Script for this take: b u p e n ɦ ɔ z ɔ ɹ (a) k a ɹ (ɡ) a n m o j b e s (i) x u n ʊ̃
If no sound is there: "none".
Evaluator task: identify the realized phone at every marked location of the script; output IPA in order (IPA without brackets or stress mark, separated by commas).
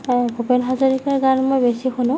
i, ɡ, i